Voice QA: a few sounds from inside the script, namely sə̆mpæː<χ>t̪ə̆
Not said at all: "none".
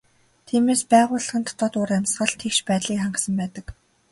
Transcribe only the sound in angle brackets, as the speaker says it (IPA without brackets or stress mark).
none